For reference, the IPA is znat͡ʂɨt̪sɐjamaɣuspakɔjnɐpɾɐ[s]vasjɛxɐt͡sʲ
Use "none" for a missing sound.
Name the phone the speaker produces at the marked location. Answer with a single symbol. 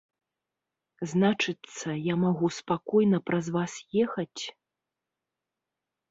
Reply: z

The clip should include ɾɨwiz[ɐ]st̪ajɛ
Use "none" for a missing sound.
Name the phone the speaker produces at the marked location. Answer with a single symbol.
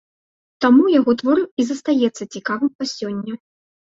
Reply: ɐ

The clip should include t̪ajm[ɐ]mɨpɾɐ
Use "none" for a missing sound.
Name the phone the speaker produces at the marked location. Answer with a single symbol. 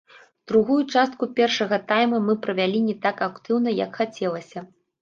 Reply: ɐ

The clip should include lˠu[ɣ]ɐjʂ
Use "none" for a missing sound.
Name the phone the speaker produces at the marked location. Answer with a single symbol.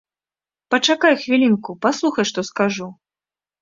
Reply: x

